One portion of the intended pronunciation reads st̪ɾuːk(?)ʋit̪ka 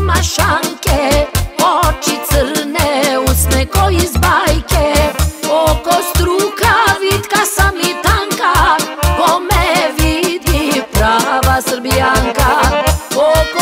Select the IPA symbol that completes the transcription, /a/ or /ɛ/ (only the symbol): a